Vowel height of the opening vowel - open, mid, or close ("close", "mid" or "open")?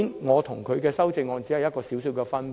mid